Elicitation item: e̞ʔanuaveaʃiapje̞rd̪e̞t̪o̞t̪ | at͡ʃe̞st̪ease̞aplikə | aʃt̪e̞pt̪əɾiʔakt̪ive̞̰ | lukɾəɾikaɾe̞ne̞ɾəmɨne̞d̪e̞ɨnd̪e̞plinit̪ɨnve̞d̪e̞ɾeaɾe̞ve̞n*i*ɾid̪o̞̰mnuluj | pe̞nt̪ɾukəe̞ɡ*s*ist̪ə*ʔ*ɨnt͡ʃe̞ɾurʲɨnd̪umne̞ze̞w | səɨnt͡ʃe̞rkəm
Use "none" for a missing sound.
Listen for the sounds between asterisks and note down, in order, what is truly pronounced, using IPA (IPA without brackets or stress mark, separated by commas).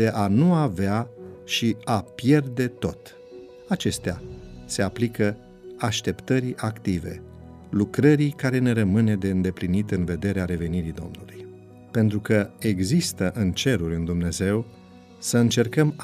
i, z, ʔ